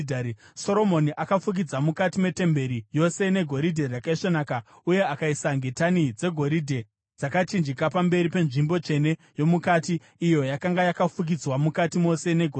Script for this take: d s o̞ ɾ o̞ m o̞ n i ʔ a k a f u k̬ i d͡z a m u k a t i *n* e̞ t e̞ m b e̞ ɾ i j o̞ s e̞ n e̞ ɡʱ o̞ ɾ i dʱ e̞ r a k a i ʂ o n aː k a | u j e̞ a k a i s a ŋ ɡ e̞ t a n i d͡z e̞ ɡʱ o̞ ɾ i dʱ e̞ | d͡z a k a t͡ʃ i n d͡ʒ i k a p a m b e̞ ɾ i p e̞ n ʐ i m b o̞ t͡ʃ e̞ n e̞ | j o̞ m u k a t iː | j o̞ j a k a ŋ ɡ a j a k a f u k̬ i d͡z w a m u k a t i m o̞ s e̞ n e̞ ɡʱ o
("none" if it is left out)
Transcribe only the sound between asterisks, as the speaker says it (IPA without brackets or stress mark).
m